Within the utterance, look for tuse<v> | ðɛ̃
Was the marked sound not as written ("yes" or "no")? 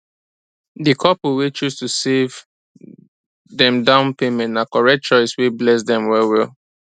no